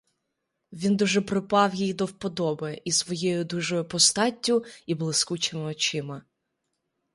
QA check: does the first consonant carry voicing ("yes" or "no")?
yes